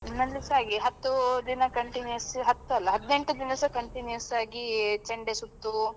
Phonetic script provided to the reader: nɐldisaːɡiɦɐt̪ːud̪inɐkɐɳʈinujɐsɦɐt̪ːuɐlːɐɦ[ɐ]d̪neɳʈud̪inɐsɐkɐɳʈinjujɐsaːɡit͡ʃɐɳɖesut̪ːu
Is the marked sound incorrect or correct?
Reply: correct